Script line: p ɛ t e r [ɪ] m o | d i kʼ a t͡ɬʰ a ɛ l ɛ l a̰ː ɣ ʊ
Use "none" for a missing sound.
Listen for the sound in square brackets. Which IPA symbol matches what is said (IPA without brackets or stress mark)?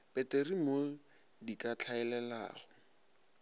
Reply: i